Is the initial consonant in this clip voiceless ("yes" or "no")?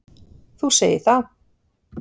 yes